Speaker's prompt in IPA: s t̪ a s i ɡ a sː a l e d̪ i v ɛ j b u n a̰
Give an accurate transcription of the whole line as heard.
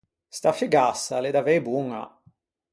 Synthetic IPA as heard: s t̪ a f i ɡ a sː a l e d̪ a v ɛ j b u ŋ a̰